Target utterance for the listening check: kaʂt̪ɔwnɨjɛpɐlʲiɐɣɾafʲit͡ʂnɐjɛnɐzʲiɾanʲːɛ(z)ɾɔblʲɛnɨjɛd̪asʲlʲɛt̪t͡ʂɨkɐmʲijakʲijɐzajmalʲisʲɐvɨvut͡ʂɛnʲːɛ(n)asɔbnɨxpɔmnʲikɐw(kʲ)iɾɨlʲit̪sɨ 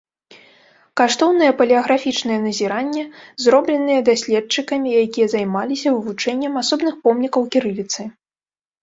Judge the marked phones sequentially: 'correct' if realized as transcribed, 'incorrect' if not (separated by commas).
correct, incorrect, correct